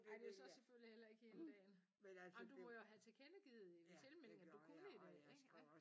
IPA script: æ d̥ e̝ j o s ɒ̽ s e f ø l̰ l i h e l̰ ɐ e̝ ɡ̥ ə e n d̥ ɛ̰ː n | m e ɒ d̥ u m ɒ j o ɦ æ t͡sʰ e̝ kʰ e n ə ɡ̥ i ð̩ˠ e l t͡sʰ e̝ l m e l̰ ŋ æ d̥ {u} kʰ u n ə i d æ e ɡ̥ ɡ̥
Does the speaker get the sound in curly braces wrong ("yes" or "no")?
no